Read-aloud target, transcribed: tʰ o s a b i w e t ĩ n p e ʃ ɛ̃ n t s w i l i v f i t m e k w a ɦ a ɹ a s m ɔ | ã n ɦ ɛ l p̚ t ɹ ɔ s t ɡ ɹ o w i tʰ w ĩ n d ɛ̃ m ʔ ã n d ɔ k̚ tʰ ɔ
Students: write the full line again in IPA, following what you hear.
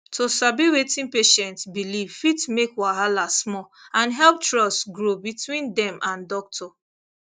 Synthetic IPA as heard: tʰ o s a b i w e t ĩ n p e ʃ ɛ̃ n t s b i l i v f i t m e k w a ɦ a l a s m ɔ | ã n ɦ ɛ l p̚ t ɹ ɔ s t ɡ ɹ o b i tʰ w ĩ n d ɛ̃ m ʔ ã n d ɔ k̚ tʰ ɔ